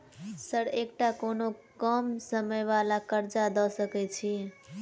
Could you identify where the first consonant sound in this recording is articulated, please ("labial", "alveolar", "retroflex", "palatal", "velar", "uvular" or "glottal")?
alveolar